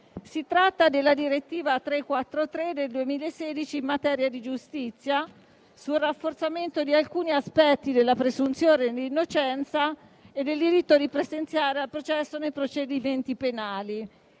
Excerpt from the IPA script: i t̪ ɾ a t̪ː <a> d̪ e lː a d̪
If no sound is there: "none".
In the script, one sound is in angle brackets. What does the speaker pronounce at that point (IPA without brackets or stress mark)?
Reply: a